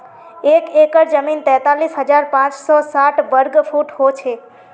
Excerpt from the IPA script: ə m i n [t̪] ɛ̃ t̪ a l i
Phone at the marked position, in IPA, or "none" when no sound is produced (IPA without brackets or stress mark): t̪